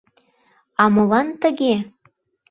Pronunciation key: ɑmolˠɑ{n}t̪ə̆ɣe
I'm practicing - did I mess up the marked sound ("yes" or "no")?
no